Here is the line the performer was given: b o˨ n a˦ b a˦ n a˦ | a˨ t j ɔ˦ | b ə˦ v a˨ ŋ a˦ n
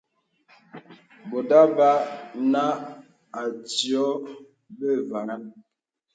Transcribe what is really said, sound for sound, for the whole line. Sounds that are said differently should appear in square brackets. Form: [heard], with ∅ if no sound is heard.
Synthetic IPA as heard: b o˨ [d] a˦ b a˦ n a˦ | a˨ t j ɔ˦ | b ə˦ v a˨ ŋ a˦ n